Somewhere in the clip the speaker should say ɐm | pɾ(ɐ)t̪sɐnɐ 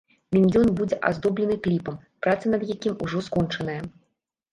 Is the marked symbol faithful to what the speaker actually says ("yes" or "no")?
no